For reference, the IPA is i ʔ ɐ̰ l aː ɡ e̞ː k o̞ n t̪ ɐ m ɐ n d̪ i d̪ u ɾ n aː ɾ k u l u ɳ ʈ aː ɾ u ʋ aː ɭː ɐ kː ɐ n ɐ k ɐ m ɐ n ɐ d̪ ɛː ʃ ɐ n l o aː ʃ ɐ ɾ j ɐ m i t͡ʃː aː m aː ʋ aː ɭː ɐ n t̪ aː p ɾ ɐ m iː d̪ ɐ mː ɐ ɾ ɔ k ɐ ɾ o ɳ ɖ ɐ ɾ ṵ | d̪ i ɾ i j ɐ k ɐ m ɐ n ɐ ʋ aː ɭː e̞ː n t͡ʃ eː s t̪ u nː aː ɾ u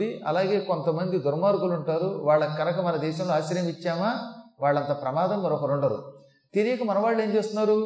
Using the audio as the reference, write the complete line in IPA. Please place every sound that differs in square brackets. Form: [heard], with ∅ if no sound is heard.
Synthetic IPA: i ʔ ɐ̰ l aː ɡ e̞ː k o̞ n t̪ ɐ m ɐ n d̪ i d̪ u ɾ [m] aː ɾ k u l u ɳ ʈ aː ɾ u ʋ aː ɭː ɐ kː ɐ n ɐ k ɐ m ɐ n ɐ d̪ ɛː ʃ ɐ [m] l o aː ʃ ɐ ɾ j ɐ m i t͡ʃː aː m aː ʋ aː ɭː ɐ n t̪ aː p ɾ ɐ m [aː] d̪ ɐ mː ɐ ɾ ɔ k ɐ ɾ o ɳ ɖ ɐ ɾ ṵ | [t̪] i ɾ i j ɐ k ɐ m ɐ n ɐ ʋ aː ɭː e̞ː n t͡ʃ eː s t̪ u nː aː ɾ u